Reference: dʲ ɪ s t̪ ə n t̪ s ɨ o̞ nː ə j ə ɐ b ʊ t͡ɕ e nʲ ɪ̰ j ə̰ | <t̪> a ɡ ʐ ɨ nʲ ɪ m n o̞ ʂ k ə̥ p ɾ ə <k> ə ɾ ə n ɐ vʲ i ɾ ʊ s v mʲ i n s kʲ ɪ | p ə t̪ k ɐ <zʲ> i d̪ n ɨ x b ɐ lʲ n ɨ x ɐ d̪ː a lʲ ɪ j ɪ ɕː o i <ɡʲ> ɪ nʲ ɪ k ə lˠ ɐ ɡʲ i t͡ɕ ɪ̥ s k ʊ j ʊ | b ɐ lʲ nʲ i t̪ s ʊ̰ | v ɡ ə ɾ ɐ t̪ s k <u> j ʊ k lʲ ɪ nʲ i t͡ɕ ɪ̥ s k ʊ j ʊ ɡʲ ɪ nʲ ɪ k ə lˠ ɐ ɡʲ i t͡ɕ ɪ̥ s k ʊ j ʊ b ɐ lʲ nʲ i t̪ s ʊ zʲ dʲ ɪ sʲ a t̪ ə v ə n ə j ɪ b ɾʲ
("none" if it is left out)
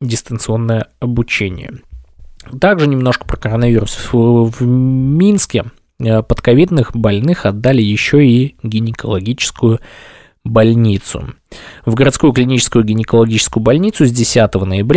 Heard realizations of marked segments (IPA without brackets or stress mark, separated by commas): t̪, k, vʲ, ɡʲ, u